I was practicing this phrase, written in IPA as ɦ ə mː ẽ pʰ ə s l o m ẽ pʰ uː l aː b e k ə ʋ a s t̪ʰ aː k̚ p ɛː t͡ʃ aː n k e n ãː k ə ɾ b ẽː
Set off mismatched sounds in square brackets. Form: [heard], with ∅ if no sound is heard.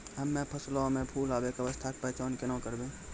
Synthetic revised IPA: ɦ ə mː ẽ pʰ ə s l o m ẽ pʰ uː l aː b e k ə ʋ [ə] s t̪ʰ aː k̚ p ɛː t͡ʃ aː n k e n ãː k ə ɾ b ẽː